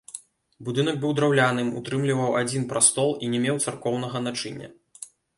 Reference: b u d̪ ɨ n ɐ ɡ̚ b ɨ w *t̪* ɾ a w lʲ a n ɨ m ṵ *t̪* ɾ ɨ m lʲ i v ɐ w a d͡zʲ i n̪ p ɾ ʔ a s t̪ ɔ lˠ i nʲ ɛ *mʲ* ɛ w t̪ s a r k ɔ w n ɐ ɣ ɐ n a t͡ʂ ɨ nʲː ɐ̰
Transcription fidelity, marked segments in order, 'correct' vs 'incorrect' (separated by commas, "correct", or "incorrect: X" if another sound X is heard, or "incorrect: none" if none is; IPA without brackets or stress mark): incorrect: d̪, correct, correct